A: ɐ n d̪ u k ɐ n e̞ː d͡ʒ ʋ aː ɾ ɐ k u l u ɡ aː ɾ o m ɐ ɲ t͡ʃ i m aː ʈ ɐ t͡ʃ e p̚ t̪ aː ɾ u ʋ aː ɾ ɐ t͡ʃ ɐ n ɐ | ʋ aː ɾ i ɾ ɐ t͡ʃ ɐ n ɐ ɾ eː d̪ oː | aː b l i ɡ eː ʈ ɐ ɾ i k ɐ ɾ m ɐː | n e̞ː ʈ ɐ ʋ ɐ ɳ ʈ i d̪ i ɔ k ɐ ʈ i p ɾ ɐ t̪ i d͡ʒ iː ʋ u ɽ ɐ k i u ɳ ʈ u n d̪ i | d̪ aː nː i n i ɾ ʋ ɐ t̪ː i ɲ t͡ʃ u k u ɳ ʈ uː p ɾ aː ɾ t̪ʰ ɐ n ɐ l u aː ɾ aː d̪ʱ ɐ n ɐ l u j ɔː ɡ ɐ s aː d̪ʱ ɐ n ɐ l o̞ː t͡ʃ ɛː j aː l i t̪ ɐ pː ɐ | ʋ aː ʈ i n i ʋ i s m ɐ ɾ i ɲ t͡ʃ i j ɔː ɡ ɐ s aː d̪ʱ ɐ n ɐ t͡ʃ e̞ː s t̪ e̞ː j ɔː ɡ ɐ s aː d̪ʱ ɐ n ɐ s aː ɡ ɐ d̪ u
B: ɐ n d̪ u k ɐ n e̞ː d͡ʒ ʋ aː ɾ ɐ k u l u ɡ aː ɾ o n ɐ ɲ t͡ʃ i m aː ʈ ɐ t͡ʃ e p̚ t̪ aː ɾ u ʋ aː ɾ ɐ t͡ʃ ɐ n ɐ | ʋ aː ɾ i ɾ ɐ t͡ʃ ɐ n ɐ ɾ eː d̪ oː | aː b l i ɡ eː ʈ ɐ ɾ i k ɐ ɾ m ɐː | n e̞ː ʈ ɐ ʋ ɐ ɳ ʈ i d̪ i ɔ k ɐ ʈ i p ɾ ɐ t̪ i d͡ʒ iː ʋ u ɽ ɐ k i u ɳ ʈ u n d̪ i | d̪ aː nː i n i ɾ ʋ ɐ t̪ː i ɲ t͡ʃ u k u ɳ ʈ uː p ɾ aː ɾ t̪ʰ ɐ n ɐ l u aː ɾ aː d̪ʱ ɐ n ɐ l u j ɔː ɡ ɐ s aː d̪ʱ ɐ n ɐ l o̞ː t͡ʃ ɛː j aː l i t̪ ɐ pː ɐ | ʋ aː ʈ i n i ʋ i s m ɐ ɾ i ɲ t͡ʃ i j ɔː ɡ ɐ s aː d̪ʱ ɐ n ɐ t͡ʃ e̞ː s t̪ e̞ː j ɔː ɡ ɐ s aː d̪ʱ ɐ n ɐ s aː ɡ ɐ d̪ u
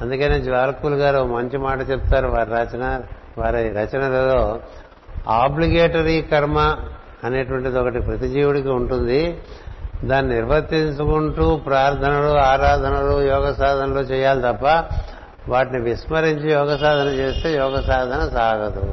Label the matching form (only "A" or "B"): A